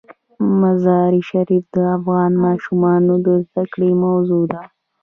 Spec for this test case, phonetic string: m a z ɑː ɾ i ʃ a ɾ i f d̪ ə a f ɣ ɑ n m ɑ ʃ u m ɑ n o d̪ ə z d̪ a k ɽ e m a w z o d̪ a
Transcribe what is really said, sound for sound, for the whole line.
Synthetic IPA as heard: m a z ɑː ɾ i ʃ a ɾ i f d̪ ə a f ɣ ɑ n m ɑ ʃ u m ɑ n o d̪ ə z d̪ a k ɽ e m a w z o d̪ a